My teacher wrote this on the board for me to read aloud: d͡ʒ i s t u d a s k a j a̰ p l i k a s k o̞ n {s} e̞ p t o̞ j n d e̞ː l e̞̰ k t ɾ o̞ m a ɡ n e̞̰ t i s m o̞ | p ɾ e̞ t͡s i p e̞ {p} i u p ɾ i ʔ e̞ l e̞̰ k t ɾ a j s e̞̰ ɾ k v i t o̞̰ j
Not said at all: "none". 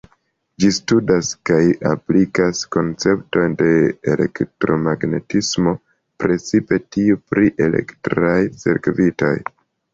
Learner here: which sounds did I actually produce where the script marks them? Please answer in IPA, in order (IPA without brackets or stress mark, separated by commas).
t͡s, t